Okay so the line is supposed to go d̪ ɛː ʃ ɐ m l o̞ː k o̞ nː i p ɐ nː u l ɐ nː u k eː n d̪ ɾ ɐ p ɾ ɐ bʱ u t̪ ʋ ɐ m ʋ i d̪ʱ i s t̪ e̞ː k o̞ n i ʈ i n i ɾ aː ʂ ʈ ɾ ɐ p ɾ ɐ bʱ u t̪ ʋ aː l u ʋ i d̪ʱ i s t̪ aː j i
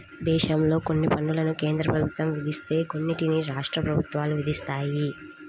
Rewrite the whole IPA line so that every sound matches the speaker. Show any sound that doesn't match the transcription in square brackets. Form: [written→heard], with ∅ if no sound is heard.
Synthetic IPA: d̪ ɛː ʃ ɐ m l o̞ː k o̞ nː i p ɐ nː u l ɐ [nː→n] u k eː n d̪ ɾ ɐ p ɾ ɐ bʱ u t̪ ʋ ɐ m ʋ i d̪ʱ i s t̪ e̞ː k o̞ [n→nː] i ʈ i n i ɾ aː ʂ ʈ ɾ ɐ p ɾ ɐ bʱ u t̪ ʋ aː l u ʋ i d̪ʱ i s t̪ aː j i

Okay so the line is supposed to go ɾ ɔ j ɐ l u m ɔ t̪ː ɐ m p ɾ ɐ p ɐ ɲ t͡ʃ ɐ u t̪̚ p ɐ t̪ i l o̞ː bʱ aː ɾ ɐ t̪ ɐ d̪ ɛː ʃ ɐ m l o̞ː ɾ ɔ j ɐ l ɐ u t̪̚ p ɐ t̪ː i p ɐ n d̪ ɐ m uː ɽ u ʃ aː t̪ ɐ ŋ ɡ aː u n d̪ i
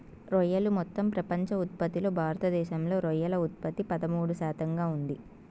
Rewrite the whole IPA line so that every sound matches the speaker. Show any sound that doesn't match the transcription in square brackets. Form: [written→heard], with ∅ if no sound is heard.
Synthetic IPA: ɾ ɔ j ɐ l u m ɔ t̪ː ɐ m p ɾ ɐ p ɐ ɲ t͡ʃ ɐ u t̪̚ p ɐ t̪ i l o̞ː bʱ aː ɾ ɐ t̪ ɐ d̪ ɛː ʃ ɐ m l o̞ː ɾ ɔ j ɐ l ɐ u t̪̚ p ɐ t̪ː i p ɐ [n→∅] d̪ ɐ m uː ɽ u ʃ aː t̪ ɐ ŋ ɡ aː u n d̪ i

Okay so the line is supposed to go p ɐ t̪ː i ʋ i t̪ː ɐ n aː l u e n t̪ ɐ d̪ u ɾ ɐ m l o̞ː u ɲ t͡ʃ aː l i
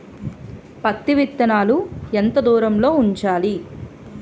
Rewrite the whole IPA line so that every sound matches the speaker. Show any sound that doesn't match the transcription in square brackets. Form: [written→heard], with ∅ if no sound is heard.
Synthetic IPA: p ɐ t̪ː i ʋ i t̪ː ɐ n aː l u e n t̪ ɐ d̪ [u→uː] ɾ ɐ m l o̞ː u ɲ t͡ʃ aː l i

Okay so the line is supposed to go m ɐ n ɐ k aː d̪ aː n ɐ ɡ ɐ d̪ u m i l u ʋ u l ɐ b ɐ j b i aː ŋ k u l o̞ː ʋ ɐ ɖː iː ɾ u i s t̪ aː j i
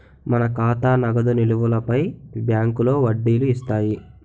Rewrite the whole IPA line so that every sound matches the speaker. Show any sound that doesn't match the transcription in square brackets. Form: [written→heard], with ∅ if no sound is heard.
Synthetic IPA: m ɐ n ɐ k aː [d̪→t̪] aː n ɐ ɡ ɐ d̪ u [m→n] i l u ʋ u l ɐ [b→p] ɐ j b [i→j] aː ŋ k u l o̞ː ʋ ɐ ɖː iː [ɾ→l] u i s t̪ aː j i

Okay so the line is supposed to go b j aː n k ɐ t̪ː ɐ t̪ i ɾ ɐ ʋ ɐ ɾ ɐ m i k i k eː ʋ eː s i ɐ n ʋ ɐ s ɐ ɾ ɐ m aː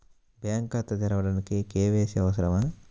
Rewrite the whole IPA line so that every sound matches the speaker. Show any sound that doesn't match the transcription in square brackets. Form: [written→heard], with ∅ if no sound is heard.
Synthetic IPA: b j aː [n→ŋ] k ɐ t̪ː ɐ t̪ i ɾ ɐ ʋ ɐ [ɾ→ɽ] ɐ [m→n] i k i k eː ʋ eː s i ɐ [n→∅] ʋ ɐ s ɐ ɾ ɐ m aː

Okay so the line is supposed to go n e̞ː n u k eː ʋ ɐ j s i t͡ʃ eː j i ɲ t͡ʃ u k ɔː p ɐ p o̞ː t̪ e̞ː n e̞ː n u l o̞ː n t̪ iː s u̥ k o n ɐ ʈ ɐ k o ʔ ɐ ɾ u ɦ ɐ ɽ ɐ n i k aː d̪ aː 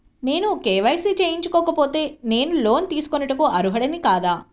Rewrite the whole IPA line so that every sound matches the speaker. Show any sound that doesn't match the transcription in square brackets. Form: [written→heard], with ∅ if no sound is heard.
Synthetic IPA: n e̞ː n u k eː ʋ ɐ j s i t͡ʃ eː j i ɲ t͡ʃ u k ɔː [p→k] ɐ p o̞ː t̪ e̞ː n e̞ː n u l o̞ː n t̪ iː s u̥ k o n ɐ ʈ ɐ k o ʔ ɐ ɾ u ɦ ɐ ɽ ɐ n i k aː d̪ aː

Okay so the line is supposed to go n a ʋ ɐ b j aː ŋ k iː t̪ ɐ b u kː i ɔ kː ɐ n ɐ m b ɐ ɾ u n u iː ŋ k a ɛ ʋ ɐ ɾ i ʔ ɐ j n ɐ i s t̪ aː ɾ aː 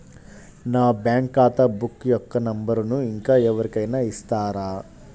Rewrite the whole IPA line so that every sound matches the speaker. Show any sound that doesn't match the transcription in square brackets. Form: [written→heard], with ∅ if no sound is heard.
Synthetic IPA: n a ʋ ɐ b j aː ŋ k [iː→aː] t̪ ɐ b u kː [i→j] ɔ kː ɐ n ɐ m b ɐ ɾ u n u [iː→i] ŋ k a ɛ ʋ ɐ ɾ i [ʔ→k] ɐ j n ɐ i s t̪ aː ɾ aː

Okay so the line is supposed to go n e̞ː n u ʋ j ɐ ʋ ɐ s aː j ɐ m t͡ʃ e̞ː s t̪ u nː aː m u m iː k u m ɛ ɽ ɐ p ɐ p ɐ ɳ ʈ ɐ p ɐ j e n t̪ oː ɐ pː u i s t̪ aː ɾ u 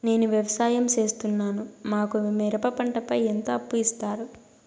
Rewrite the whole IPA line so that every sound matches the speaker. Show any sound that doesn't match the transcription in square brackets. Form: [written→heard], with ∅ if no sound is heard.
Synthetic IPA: n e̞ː n u ʋ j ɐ ʋ ɐ s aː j ɐ m t͡ʃ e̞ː s t̪ u nː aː [m→n] u m [iː→aː] k u m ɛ [ɽ→ɾ] ɐ p ɐ p ɐ ɳ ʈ ɐ p ɐ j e n t̪ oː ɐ pː u i s t̪ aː ɾ u

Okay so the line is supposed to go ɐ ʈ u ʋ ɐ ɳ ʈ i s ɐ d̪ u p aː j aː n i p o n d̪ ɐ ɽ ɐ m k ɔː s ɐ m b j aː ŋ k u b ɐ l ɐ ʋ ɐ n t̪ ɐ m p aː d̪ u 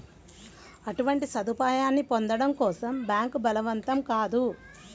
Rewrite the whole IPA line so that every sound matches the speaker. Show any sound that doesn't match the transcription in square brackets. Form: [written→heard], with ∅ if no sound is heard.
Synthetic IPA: ɐ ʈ u ʋ ɐ ɳ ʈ i s ɐ d̪ u p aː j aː [n→nː] i p o n d̪ ɐ ɽ ɐ m k ɔː s ɐ m b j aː ŋ k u b ɐ l ɐ ʋ ɐ n t̪ ɐ m [p→k] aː d̪ u

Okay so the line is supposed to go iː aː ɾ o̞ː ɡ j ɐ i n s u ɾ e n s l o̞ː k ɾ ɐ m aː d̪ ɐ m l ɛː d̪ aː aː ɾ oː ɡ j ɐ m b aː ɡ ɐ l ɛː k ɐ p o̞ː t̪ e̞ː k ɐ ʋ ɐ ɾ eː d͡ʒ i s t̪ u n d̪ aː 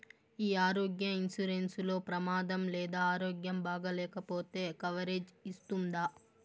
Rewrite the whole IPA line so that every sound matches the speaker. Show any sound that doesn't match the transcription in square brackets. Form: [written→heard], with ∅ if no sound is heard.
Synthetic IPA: iː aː ɾ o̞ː ɡ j ɐ i n s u ɾ e n s l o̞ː [k→p] ɾ ɐ m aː d̪ ɐ m l ɛː d̪ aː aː ɾ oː ɡ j ɐ m b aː ɡ ɐ l ɛː k ɐ p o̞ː t̪ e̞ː k ɐ ʋ ɐ ɾ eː d͡ʒ i s t̪ u n d̪ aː

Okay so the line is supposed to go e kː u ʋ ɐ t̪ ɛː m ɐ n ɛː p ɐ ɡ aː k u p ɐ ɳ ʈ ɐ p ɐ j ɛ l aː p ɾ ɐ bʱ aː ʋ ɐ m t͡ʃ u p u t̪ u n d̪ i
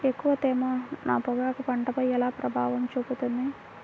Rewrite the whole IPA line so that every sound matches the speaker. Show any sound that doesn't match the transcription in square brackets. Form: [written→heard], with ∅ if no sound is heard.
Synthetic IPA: e kː u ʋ ɐ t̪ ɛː m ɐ n [ɛː→aː] p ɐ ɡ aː k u p ɐ ɳ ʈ ɐ p ɐ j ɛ l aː p ɾ ɐ bʱ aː ʋ ɐ m t͡ʃ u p u t̪ u n d̪ i

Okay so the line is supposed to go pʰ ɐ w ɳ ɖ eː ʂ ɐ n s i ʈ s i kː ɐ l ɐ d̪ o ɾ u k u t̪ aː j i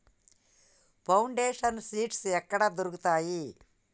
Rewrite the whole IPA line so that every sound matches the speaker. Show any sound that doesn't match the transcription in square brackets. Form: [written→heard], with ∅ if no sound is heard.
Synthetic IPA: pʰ ɐ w ɳ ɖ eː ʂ ɐ n s [i→iː] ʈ s [i→ɛ] kː ɐ [l→ɽ] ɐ d̪ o ɾ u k u t̪ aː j i

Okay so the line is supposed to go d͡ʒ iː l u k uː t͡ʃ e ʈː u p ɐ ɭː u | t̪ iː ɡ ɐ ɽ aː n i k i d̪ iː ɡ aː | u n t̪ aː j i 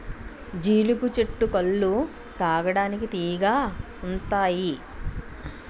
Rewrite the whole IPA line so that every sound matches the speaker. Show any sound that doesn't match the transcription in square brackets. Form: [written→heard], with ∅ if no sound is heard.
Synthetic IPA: d͡ʒ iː l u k [uː→u] t͡ʃ e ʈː u [p→k] ɐ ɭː u | t̪ [iː→aː] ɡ ɐ ɽ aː n i k i [d̪→t̪] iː ɡ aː | u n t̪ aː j i

